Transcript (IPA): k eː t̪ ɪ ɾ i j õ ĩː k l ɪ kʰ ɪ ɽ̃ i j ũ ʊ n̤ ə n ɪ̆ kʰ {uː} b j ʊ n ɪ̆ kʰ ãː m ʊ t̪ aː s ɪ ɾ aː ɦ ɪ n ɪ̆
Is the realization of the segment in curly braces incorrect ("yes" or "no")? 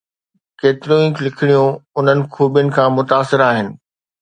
no